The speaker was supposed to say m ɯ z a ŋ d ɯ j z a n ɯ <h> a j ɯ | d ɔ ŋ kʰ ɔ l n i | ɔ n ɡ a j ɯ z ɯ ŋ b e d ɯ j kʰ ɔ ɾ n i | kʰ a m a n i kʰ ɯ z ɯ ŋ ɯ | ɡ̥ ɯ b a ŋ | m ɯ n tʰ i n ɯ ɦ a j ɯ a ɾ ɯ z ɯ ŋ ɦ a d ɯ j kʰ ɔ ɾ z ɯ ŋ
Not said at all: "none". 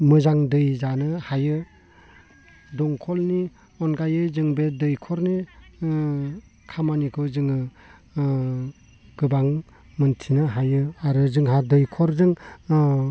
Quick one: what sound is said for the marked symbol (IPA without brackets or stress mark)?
h